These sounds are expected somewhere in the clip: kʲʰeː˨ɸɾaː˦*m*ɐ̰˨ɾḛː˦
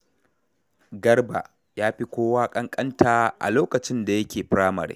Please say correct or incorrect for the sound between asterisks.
correct